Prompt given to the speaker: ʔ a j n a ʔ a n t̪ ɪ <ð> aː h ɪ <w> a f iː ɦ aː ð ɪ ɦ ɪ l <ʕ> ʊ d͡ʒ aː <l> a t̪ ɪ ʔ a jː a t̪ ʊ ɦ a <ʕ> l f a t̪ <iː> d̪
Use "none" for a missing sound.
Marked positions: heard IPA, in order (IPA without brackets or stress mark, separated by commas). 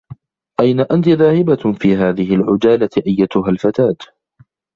ð, b, ʕ, l, none, aː